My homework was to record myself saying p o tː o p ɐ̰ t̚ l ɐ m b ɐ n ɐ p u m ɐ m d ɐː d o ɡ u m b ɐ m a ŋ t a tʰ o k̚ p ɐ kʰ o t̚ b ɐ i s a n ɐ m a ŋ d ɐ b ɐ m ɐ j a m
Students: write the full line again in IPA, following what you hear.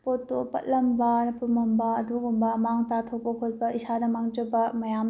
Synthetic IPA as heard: p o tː o p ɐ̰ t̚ l ɐ m b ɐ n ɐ p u m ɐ m b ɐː d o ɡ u m b ɐ m a ŋ t a tʰ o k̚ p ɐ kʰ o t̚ b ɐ i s a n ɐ m a ŋ d͡ʒ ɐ b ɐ m ɐ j a m